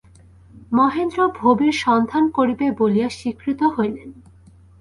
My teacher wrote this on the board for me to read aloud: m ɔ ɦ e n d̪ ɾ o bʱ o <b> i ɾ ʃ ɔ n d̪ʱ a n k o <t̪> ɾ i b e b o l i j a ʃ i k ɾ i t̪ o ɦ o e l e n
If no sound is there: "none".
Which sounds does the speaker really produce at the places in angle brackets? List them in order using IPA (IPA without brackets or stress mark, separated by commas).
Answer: b, none